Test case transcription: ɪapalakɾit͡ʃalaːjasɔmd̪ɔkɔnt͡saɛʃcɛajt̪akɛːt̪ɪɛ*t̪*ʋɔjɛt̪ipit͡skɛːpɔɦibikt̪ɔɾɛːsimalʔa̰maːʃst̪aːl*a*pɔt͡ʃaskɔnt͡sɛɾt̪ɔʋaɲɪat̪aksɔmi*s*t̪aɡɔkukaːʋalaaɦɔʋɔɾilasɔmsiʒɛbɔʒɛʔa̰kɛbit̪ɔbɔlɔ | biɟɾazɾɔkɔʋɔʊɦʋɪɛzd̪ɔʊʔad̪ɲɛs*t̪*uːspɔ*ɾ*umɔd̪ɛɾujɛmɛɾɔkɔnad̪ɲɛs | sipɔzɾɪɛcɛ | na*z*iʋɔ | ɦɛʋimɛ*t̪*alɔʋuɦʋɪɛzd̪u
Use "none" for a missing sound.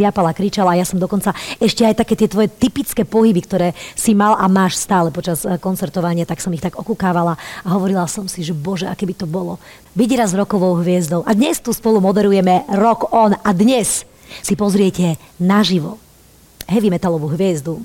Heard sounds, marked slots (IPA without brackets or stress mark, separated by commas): t̪, ɛ, x, t̪, l, ʒ, t̪